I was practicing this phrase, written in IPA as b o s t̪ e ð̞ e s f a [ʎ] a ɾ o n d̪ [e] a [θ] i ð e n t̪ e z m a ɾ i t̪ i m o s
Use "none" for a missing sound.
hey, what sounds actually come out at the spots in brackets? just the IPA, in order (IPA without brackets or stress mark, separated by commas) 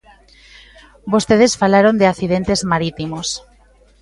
l, e, θ